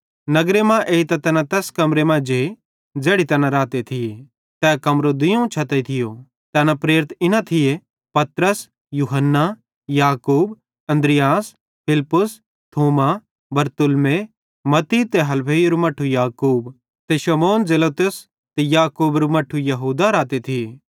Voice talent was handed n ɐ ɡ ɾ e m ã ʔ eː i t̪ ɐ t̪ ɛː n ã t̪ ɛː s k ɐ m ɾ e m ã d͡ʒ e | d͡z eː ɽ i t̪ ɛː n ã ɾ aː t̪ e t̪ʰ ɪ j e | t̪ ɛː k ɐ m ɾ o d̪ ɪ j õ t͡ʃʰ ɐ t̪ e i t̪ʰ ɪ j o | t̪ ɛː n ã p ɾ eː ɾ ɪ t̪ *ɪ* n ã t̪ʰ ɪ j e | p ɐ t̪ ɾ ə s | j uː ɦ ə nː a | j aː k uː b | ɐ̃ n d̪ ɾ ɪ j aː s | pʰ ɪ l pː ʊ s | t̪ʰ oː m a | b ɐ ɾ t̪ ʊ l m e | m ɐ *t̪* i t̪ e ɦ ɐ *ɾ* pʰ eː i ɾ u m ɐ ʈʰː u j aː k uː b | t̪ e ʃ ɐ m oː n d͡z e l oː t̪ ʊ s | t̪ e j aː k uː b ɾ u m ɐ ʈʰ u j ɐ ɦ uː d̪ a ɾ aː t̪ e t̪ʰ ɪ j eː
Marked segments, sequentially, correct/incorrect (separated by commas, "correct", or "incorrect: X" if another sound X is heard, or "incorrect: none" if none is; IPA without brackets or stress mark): correct, correct, incorrect: l